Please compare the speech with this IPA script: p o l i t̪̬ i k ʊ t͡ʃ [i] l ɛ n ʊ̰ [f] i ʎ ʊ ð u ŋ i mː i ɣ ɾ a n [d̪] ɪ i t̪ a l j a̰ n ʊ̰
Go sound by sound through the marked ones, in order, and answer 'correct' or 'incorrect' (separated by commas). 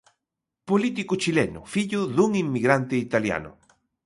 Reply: correct, correct, incorrect